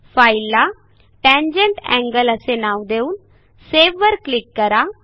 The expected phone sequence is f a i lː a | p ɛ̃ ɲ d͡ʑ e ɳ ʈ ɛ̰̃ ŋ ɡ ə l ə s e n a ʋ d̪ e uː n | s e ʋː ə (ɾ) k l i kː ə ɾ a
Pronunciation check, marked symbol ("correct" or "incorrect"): correct